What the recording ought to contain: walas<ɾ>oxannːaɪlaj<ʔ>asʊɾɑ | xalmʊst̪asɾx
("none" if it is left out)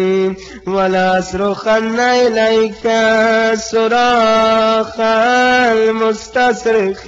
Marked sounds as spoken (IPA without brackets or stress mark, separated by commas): ɾ, k